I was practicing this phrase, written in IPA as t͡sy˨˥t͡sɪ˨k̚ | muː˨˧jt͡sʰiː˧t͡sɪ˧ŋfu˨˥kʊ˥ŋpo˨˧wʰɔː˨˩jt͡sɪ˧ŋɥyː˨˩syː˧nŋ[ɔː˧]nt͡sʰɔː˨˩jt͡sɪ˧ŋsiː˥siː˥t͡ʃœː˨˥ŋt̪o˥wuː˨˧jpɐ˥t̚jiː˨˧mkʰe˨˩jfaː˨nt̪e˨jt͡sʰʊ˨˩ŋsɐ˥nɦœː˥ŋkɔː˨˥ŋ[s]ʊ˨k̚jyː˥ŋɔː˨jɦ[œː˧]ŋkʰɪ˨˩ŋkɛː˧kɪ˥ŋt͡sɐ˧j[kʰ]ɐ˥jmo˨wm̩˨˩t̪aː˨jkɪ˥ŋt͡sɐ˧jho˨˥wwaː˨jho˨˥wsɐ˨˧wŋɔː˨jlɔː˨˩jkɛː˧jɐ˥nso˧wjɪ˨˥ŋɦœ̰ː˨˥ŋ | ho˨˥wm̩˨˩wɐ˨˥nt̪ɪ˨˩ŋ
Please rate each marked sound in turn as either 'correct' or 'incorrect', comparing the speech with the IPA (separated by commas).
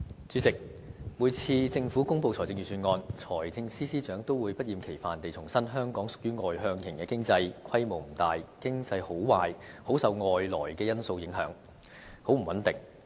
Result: correct, correct, correct, correct